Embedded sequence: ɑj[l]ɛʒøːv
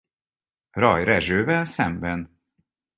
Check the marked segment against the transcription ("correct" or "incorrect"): incorrect